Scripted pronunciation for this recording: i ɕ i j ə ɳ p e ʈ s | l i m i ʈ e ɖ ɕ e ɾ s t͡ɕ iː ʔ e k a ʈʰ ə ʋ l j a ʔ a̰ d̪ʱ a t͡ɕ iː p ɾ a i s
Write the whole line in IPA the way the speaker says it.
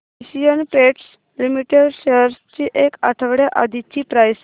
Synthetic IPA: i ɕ i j ə n p e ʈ s | l i m i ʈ e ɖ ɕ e ɾ s t͡ɕ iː ʔ e k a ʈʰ ə ʋ ɽ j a ʔ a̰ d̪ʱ i t͡ɕ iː p ɾ a j s